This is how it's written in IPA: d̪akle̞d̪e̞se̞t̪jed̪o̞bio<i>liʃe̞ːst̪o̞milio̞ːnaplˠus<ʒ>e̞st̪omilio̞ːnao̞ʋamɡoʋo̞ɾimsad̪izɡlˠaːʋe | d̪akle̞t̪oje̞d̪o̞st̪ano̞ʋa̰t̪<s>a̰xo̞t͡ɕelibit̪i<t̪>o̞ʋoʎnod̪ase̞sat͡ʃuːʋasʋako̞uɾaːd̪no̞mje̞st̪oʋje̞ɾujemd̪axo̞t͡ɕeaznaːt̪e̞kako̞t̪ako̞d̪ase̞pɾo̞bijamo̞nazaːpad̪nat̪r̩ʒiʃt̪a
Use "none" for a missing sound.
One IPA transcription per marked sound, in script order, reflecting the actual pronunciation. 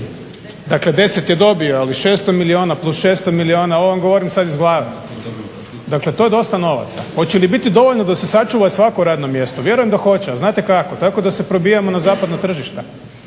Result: a, ʃ, s, d̪

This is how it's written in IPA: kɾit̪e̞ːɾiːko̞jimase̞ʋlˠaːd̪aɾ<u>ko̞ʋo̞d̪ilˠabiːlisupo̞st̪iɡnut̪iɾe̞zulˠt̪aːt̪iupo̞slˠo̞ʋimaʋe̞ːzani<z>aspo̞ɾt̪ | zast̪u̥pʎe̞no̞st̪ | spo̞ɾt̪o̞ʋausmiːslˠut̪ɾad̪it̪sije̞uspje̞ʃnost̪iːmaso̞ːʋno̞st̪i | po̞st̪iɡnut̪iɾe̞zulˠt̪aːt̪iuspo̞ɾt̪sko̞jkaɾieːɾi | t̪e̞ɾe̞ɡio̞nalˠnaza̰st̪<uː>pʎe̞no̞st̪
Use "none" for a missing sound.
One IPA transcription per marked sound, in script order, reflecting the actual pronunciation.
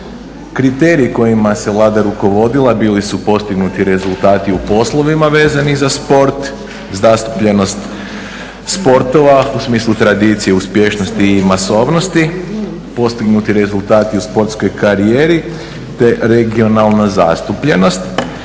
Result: u, z, u

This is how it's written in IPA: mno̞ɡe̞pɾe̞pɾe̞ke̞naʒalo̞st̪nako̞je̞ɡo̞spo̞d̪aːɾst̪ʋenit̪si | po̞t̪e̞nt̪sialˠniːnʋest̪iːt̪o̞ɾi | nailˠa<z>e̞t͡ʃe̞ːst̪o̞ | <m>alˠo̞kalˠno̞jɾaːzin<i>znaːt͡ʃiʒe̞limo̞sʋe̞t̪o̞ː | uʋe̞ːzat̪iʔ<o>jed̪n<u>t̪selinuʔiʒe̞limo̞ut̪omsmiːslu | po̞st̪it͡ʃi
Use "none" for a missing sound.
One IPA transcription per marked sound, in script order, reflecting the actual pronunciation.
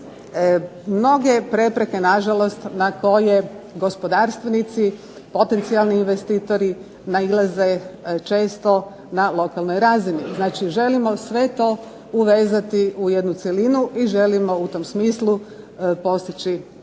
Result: z, n, i, u, u

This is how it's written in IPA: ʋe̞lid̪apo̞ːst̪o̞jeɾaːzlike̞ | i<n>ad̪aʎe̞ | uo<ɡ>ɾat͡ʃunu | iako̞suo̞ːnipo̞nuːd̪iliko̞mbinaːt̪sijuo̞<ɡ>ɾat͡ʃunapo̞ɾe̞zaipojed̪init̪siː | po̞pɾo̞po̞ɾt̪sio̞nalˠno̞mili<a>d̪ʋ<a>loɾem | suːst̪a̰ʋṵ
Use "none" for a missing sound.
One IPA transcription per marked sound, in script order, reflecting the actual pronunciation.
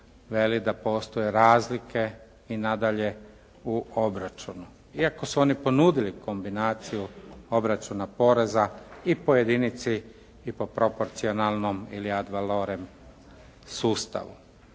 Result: n, b, b, a, a

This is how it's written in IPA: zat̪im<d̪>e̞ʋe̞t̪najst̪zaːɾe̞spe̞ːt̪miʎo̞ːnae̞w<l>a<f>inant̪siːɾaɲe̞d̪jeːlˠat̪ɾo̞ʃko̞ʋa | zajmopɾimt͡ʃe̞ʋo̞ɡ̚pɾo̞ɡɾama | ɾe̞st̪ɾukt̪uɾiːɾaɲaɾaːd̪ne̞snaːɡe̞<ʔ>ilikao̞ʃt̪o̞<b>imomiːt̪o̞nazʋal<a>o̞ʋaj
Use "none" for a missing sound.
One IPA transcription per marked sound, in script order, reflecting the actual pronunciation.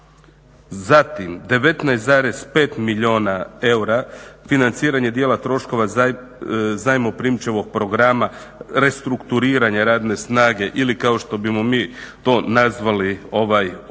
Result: d̪, ɾ, f, ʔ, b, i

